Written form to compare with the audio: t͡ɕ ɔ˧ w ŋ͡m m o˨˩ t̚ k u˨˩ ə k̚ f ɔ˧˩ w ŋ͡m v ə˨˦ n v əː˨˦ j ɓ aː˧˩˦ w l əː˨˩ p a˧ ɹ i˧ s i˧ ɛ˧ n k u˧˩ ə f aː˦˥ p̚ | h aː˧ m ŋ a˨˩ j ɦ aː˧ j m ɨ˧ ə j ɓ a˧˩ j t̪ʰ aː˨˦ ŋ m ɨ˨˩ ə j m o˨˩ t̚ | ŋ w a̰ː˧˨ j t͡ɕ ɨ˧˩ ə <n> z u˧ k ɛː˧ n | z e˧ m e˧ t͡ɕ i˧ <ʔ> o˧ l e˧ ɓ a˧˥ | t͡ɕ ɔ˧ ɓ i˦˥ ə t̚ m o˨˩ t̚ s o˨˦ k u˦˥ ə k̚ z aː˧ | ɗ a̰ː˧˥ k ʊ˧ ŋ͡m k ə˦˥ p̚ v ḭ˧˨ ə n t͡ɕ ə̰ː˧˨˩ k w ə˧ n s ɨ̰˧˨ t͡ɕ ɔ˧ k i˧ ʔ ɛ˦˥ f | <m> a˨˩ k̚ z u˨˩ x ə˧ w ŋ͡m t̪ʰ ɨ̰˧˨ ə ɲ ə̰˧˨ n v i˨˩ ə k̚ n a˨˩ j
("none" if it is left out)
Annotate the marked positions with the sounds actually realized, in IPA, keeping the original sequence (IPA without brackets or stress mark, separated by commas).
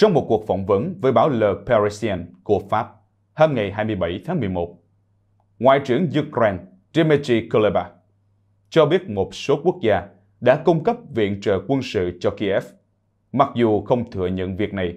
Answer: ŋ, k, m